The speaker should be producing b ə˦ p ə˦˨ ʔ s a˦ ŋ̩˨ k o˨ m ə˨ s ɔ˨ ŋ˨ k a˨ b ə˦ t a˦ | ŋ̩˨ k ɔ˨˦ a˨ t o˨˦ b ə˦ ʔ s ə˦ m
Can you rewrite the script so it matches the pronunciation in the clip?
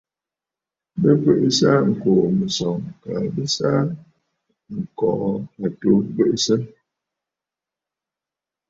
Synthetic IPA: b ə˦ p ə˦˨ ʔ s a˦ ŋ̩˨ k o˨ m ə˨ s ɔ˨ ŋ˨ k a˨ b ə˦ s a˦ | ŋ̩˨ k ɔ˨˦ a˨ t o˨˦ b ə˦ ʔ s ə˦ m

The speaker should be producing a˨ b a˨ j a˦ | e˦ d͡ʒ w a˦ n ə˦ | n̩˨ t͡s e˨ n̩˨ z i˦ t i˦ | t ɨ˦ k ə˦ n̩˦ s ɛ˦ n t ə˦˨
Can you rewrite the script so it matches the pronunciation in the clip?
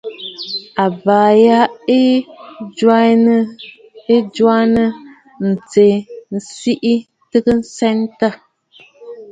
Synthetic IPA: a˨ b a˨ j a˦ | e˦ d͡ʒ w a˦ n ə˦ | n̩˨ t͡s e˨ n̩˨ s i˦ ʔ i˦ | t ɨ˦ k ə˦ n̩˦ s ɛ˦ n t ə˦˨

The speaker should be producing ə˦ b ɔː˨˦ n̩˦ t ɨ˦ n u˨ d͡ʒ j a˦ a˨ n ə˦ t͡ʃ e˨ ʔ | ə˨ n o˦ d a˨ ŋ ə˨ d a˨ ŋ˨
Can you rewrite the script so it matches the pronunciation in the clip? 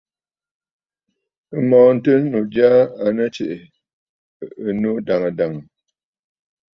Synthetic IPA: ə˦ m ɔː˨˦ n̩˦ t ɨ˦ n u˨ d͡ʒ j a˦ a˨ n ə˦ t͡ʃ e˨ ʔ | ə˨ n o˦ d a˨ ŋ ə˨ d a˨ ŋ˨

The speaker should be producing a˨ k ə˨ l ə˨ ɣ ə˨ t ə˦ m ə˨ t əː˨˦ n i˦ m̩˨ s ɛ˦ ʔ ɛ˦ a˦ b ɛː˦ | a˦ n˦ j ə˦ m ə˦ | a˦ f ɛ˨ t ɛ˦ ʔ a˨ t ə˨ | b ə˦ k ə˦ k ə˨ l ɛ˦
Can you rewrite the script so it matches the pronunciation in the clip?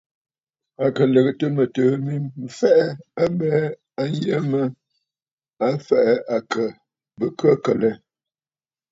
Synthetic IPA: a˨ k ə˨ l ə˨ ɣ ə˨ t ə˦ m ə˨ t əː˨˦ m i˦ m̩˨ f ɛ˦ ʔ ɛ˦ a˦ b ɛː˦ | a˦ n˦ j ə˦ m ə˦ | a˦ f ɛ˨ ʔ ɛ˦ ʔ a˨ k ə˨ | b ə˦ k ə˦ k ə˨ l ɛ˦

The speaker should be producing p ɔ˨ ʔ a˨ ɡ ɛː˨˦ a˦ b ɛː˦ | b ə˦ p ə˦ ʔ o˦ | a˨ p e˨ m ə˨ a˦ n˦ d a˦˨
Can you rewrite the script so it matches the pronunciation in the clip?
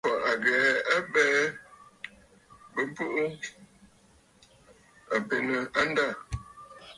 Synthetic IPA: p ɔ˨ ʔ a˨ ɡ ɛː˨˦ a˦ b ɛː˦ | b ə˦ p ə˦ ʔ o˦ | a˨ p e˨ n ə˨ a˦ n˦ d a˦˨

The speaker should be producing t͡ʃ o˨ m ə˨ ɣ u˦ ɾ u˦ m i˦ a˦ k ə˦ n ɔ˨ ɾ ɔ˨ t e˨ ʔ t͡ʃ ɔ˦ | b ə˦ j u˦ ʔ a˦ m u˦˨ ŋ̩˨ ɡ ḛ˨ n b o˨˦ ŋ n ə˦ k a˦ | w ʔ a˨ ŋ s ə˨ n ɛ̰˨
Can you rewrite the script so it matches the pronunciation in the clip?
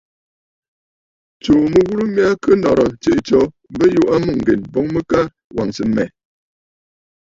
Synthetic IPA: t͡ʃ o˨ m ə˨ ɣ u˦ ɾ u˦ m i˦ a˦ k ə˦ n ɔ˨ ɾ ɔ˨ t͡ʃ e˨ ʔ t͡ʃ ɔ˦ | b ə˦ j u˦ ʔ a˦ m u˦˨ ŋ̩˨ ɡ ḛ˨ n b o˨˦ ŋ m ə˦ k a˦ | w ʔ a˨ ŋ s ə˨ m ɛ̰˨

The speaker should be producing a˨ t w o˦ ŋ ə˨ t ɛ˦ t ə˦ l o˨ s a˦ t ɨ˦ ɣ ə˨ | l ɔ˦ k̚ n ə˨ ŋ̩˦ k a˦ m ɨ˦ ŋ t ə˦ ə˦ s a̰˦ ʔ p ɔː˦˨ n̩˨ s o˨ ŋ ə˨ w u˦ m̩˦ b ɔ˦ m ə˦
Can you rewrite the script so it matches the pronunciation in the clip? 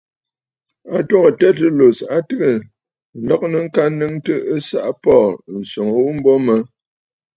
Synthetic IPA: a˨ t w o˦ ŋ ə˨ t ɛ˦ t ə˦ l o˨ s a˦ t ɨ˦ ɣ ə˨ | l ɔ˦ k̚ n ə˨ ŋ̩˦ k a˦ n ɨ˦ ŋ t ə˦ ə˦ s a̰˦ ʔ p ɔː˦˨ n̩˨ s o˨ ŋ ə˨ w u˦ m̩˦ b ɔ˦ m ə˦

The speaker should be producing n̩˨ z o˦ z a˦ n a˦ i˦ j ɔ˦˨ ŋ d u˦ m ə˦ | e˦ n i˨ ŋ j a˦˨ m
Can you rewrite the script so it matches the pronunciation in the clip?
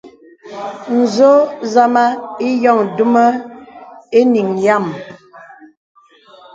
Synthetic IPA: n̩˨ z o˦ z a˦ m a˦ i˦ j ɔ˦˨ ŋ d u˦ m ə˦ | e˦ n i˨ ŋ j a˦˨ m

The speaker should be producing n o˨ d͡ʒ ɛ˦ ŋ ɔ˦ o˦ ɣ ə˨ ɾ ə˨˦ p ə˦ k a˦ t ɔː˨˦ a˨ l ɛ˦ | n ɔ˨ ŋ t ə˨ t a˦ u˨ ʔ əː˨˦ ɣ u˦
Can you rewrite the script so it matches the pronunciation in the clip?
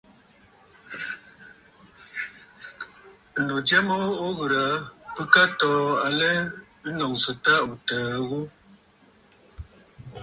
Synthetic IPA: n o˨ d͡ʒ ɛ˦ m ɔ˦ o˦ ɣ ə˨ ɾ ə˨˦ p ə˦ k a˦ t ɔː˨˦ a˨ l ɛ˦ | n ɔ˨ ŋ s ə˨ t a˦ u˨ t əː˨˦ ɣ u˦

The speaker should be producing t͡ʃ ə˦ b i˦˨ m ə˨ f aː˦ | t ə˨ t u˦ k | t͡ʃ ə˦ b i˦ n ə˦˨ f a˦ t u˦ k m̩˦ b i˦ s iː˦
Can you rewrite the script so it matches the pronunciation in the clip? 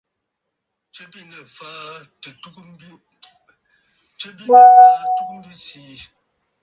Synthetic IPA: t͡ʃ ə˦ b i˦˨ n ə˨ f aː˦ | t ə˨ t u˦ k | t͡ʃ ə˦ b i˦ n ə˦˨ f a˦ t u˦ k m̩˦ b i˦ s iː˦

